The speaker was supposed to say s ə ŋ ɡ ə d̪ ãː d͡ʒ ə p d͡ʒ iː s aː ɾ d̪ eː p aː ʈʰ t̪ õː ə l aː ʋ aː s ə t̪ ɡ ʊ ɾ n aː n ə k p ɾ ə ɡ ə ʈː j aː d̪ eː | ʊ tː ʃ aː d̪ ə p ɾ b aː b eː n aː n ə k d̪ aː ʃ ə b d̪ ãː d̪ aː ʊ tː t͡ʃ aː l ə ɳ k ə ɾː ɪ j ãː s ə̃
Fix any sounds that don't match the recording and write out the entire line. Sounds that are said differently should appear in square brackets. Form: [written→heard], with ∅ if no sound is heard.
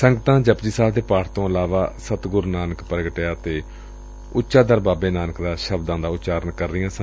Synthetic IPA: s ə ŋ ɡ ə [d̪→t̪] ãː d͡ʒ ə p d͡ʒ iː s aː [ɾ→l] d̪ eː p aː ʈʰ t̪ õː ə l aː ʋ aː s ə t̪ ɡ ʊ ɾ n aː n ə k p ɾ ə ɡ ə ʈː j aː [d̪→t̪] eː | ʊ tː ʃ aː d̪ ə [p→∅] ɾ b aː b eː n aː n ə k d̪ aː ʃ ə b d̪ ãː d̪ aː ʊ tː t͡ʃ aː [l→ɾ] ə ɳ k ə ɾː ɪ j ãː s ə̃